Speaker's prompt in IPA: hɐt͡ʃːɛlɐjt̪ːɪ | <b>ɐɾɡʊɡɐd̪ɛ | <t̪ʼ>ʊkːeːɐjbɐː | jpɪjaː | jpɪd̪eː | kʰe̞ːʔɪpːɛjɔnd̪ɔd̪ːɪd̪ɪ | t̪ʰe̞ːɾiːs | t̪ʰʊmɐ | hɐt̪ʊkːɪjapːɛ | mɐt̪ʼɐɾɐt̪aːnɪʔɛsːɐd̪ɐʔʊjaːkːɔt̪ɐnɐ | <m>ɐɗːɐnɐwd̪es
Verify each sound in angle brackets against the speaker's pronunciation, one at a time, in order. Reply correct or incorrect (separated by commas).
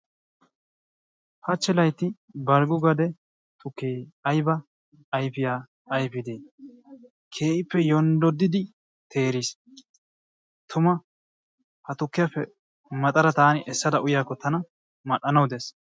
correct, incorrect, correct